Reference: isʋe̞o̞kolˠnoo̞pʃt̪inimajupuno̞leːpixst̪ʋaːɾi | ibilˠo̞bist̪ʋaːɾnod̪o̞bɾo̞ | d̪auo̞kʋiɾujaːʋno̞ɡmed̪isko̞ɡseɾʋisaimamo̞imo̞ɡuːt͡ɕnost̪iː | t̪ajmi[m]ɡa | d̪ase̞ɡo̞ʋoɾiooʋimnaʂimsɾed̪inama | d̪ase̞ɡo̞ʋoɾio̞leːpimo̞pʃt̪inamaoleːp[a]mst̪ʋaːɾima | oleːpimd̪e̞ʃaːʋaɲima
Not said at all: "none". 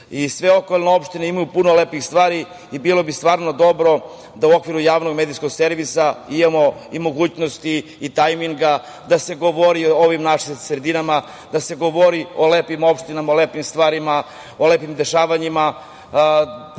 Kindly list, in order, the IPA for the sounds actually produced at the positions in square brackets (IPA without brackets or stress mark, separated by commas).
ŋ, i